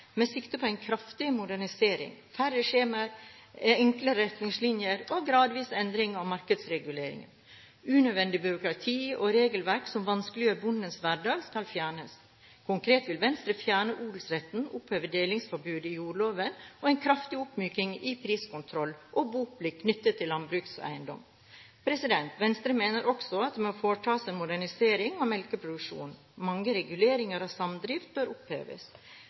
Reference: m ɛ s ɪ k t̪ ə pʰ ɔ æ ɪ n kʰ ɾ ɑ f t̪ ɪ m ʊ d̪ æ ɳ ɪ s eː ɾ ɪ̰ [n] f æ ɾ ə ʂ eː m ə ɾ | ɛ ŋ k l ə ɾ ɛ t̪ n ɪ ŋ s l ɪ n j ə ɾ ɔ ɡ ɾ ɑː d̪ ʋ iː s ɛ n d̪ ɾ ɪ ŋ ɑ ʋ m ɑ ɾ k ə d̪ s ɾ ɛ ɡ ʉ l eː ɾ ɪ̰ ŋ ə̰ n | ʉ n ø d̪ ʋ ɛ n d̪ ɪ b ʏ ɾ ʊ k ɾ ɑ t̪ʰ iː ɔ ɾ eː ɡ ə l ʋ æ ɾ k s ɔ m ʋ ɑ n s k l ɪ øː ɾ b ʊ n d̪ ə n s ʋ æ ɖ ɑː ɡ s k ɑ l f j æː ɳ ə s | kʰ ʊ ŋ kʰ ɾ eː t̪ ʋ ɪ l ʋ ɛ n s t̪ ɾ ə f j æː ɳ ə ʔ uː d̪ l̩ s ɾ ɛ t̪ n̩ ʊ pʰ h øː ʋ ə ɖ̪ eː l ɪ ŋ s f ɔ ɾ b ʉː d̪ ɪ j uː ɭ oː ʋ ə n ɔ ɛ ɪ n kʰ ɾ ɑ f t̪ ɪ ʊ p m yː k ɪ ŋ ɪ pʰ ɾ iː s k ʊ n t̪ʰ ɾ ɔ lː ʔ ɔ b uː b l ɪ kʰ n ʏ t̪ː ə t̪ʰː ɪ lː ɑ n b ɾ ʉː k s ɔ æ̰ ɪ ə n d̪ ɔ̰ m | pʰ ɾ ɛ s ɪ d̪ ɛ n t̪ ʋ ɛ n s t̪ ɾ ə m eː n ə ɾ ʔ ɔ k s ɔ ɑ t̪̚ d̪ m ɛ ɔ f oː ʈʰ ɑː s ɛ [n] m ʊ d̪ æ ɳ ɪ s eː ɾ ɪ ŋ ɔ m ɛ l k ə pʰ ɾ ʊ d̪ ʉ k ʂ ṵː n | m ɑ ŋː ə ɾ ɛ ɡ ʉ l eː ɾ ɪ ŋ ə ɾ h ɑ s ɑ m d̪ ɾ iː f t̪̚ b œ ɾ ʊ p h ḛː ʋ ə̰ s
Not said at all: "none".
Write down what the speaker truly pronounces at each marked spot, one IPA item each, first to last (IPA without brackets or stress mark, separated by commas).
ŋ, n